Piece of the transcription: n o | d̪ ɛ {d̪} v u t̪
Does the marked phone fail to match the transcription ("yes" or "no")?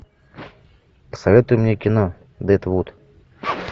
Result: yes